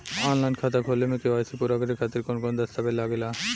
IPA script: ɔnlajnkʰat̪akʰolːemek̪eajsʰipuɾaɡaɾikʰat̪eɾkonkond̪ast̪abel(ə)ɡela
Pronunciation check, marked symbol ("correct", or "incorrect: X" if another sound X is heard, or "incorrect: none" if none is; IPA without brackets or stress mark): incorrect: a